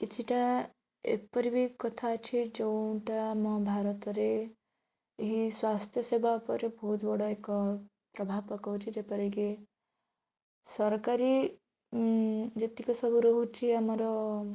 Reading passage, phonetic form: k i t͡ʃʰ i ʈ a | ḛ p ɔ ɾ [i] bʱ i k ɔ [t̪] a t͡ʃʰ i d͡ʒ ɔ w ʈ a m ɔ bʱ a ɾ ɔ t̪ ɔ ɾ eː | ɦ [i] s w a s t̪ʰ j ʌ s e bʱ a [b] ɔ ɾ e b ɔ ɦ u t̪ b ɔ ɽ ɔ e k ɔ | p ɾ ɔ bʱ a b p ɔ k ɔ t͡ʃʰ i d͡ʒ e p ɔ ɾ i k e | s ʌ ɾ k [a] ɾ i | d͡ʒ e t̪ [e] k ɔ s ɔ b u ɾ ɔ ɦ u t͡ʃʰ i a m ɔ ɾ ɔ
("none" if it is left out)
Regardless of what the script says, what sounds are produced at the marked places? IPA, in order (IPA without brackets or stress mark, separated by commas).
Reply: i, t̪ʰ, i, p, a, i